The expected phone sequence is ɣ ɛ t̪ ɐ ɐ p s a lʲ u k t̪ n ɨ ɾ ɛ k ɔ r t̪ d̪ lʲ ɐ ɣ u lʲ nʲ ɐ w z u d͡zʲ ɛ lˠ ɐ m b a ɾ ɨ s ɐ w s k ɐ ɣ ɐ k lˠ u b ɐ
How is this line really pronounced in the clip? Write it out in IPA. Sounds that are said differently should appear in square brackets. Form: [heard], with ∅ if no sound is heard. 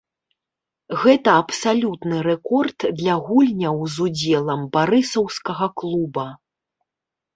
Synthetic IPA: ɣ ɛ t̪ ɐ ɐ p s a lʲ u [∅] t̪ n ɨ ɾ ɛ k ɔ r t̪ d̪ lʲ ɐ ɣ u lʲ nʲ ɐ w z u d͡zʲ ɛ lˠ ɐ m b a ɾ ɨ s ɐ w s k ɐ ɣ ɐ k lˠ u b ɐ